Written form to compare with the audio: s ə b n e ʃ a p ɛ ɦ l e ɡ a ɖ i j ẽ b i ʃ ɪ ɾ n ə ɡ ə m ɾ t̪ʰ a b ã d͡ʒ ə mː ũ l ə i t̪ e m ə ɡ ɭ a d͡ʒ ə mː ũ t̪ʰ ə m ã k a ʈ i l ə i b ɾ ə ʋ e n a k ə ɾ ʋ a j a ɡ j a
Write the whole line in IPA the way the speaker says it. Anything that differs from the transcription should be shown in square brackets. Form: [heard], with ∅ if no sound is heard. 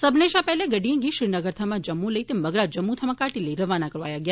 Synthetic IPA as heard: s ə b n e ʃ a p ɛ ɦ l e ɡ [ə] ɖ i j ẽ [ɡ] i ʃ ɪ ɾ n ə ɡ ə [∅] ɾ t̪ʰ a [m] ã d͡ʒ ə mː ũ l ə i t̪ e m ə ɡ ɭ a d͡ʒ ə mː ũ t̪ʰ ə m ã k a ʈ i l ə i [∅] ɾ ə ʋ [a] n a k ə ɾ ʋ a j a ɡ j a